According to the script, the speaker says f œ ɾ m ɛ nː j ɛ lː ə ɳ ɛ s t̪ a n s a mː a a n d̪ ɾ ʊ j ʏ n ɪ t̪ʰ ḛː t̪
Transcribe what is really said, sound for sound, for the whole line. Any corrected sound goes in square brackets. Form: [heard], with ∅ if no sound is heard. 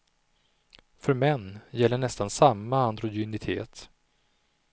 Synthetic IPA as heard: f œ ɾ m ɛ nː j ɛ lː ə ɳ ɛ s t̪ a n s a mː a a n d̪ ɾ ʊ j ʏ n ɪ t̪ʰ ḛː t̪

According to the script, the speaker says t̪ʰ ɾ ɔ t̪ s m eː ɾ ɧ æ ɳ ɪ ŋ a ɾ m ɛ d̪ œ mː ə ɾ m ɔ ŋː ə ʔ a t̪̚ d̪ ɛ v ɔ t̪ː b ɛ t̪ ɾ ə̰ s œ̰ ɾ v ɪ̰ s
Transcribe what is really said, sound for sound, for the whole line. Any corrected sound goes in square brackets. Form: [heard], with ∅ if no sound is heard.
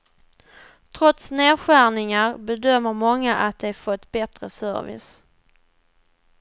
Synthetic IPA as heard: t̪ʰ ɾ ɔ t̪ s [n] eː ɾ ɧ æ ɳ ɪ ŋ a ɾ [b] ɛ d̪ œ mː ə ɾ m ɔ ŋː [a] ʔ a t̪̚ d̪ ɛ [f] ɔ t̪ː b ɛ t̪ ɾ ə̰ s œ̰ ɾ v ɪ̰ s

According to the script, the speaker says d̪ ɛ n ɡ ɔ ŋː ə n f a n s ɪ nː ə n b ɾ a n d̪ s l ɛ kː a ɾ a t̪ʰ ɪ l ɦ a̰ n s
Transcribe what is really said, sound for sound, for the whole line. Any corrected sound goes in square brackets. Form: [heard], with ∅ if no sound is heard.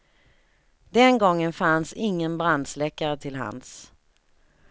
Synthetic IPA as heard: d̪ ɛ n ɡ ɔ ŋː ə n f a n s ɪ [ŋː] ə n b ɾ a n d̪ s l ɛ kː a ɾ [ə] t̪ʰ ɪ l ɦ a̰ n s

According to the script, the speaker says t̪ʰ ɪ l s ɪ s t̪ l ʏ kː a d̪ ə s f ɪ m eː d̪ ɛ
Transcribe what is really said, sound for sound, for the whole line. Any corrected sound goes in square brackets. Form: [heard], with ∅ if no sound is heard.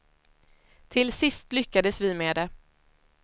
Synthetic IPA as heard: t̪ʰ ɪ l s ɪ s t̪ l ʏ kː a d̪ ə s [v] ɪ m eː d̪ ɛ

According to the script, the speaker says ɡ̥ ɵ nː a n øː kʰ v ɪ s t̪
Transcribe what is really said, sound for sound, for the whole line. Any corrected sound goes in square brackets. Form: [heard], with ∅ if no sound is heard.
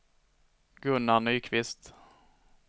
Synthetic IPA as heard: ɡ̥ ɵ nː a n [yː] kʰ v ɪ s t̪

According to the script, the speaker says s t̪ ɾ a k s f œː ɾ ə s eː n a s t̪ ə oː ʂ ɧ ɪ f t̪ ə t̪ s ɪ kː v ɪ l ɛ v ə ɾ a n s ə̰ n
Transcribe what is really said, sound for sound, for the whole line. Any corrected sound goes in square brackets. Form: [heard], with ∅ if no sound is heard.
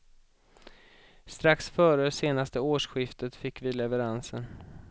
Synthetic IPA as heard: s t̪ ɾ a k s f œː ɾ ə s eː n a s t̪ ə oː ʂ ɧ ɪ f t̪ ə t̪ [f] ɪ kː v ɪ l ɛ v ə ɾ a n s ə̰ n

